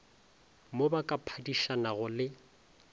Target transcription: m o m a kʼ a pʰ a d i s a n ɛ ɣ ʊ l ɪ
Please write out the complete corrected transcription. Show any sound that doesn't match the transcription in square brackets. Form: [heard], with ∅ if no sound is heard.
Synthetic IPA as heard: m o [b] a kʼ a pʰ a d i [ʃ] a n [a] ɣ ʊ l ɪ